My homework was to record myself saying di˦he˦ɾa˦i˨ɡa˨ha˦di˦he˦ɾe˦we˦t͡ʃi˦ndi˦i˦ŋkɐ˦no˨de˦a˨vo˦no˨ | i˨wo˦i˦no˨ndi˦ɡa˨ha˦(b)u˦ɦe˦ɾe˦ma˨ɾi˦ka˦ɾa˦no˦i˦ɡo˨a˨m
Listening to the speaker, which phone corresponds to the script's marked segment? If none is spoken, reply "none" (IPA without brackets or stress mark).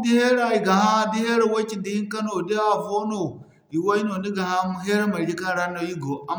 m